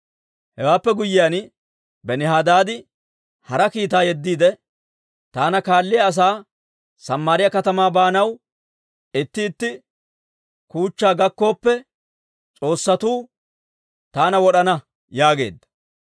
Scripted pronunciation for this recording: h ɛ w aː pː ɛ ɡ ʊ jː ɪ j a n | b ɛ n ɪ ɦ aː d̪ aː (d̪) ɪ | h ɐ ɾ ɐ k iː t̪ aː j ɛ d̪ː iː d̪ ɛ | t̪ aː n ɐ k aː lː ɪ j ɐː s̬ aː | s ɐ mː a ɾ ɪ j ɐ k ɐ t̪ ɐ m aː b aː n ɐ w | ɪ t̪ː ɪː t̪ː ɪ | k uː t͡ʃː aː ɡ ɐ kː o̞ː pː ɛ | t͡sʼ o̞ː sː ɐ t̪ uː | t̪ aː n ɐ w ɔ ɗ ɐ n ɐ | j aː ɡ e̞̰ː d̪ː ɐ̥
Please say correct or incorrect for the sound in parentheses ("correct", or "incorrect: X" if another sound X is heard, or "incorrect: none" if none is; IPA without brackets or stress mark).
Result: correct